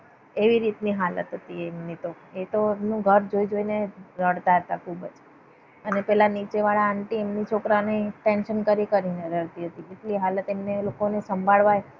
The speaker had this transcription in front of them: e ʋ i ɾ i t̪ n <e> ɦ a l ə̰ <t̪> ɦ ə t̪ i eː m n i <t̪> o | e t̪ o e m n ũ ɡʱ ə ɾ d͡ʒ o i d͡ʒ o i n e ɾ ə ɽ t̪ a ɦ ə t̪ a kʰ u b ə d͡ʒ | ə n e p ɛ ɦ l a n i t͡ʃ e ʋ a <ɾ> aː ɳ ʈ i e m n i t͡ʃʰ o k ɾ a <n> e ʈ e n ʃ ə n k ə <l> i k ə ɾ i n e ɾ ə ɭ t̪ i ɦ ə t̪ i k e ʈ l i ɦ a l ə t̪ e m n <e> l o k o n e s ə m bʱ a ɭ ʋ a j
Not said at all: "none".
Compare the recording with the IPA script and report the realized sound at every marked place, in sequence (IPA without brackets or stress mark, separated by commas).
i, t̪, t̪, ɭ, n, ɾ, e